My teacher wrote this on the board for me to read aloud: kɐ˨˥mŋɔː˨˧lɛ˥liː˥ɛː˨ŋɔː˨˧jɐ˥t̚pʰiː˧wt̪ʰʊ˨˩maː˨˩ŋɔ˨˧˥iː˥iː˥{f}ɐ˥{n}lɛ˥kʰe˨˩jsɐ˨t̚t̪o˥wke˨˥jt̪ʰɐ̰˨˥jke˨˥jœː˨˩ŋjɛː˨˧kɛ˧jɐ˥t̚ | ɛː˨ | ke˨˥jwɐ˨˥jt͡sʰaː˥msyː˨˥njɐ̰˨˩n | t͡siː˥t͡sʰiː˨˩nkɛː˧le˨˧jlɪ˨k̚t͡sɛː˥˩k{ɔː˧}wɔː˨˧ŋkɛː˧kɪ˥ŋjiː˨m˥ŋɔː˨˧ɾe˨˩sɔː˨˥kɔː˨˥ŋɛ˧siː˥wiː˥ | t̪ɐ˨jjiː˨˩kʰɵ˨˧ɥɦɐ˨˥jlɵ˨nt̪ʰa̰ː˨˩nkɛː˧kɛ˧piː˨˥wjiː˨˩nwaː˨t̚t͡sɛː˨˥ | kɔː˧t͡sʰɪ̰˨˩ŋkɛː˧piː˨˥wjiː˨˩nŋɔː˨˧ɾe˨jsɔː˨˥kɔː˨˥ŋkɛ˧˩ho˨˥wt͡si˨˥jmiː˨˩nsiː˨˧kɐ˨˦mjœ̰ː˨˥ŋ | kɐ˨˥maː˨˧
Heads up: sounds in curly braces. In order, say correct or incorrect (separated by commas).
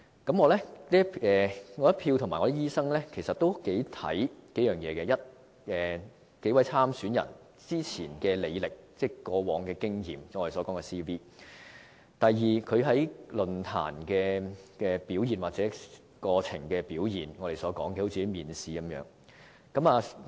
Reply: incorrect, incorrect, correct